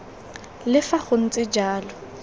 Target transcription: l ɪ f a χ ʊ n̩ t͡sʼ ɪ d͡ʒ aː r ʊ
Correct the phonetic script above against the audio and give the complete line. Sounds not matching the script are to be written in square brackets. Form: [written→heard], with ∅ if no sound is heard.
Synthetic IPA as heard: l ɪ f a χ ʊ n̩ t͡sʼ ɪ d͡ʒ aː [r→l] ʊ